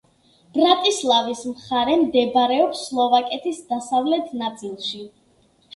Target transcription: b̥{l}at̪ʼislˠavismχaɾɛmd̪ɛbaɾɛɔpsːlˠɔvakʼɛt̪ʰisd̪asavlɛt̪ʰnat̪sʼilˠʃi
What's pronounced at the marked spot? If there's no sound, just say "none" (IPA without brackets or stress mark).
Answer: ɾ